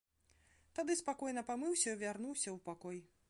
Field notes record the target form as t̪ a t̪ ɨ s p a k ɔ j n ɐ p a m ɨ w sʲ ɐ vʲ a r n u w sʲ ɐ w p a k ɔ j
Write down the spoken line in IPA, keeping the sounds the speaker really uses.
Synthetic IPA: t̪ a d̪ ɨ s p a k ɔ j n ɐ p a m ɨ w sʲ ɐ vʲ a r n u w sʲ ɐ w p a k ɔ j